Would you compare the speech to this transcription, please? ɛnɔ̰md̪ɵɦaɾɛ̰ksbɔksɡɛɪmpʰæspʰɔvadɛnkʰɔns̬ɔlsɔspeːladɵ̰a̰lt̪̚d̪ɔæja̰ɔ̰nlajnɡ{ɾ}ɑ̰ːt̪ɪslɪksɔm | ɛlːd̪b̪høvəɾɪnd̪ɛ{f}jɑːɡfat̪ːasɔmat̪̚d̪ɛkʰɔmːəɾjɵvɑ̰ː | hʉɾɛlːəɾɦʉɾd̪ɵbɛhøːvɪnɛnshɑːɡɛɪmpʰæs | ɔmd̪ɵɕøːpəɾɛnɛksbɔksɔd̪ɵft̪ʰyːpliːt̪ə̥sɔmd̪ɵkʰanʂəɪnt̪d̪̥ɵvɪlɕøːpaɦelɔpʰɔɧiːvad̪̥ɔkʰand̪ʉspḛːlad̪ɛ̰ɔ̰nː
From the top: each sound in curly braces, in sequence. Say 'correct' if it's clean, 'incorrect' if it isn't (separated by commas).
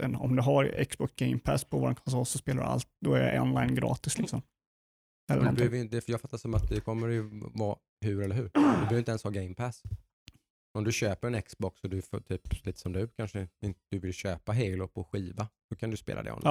correct, correct